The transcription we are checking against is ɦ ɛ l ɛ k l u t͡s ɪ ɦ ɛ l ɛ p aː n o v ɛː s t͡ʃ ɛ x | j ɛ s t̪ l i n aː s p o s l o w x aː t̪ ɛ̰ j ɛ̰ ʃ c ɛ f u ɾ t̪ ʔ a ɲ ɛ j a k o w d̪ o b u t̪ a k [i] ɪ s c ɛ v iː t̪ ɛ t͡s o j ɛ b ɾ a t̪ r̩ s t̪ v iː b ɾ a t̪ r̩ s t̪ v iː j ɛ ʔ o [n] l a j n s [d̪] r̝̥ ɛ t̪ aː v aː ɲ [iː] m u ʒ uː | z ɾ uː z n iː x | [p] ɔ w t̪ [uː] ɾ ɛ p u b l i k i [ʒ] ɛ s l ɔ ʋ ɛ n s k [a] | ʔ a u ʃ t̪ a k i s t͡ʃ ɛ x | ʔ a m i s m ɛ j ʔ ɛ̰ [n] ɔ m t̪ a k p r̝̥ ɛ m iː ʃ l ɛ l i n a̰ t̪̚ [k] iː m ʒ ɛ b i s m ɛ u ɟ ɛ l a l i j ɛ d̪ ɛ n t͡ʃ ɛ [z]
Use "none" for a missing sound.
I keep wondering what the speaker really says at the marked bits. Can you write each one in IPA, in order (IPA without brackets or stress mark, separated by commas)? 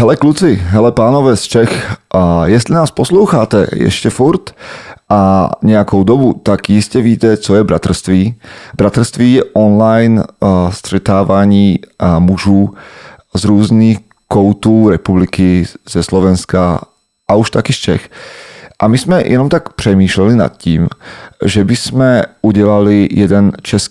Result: j, n, t̪, iː, k, uː, z, a, n, c, s